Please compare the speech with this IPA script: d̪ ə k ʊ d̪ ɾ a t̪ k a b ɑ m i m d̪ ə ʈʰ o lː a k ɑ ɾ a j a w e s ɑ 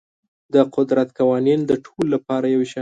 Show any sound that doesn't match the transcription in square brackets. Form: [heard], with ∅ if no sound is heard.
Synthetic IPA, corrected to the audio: d̪ ə [q] ʊ d̪ ɾ a t̪ k a [w] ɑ [n] i [n] d̪ ə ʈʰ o lː a [p] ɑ ɾ a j a w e [ʃ] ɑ